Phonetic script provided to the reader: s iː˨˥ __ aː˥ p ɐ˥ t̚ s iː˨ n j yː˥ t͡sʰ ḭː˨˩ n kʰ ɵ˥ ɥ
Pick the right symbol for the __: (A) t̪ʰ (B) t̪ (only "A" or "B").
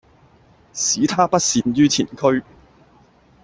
A